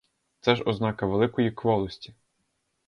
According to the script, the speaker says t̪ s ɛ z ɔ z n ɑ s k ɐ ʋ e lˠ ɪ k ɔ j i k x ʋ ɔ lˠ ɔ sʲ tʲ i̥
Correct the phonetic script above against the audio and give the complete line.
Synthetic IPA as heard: t̪ s ɛ ʒ ɔ z n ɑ k ɐ ʋ e lˠ ɪ k ɔ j i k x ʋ ɔ lˠ ɔ sʲ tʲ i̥